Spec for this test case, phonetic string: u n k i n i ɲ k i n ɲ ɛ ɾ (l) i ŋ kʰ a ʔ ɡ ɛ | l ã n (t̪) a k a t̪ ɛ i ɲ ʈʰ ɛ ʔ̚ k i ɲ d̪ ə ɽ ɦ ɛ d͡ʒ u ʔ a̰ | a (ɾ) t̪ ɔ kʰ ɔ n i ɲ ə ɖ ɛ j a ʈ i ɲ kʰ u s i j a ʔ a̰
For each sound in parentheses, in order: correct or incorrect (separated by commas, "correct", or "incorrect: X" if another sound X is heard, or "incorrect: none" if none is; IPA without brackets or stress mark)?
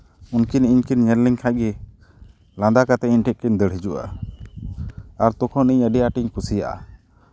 correct, incorrect: d̪, correct